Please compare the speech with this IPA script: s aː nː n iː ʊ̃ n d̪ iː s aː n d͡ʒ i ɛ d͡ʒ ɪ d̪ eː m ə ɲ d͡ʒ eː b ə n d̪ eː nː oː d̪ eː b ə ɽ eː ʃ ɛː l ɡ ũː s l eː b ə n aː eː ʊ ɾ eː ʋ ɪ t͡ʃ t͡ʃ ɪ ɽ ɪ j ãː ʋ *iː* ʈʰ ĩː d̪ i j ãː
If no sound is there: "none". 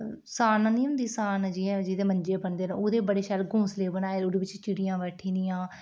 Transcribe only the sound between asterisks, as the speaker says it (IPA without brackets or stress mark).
ɛː